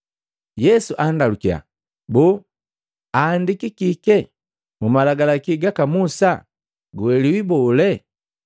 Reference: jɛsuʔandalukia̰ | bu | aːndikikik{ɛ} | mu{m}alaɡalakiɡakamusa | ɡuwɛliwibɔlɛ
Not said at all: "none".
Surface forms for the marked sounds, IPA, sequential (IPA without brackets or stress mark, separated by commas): ɛ, m